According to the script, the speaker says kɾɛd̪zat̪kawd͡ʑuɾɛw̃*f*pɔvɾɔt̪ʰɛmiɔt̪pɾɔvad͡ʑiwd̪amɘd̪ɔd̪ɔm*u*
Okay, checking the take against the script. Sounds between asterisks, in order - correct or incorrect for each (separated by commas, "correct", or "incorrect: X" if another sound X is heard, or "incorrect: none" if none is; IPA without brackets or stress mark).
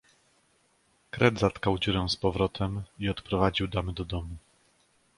incorrect: s, correct